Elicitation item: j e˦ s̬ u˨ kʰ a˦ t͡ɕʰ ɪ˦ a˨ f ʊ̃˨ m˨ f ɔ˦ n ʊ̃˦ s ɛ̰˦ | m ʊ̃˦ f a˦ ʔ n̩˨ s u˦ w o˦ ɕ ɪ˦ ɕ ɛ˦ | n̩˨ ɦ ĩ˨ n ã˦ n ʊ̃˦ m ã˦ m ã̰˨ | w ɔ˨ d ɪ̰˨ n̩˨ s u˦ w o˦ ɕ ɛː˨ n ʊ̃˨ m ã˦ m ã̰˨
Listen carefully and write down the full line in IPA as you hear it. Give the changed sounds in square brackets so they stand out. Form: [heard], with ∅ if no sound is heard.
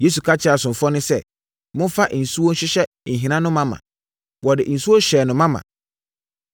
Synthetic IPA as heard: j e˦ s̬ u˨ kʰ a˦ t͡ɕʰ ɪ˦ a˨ [s] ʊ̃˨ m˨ f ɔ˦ n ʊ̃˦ s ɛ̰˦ | m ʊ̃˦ f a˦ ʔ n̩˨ s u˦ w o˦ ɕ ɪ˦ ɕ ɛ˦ | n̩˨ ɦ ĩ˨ n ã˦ n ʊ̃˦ m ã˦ m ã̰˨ | w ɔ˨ d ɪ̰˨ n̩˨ s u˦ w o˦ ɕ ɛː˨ n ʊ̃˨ m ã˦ m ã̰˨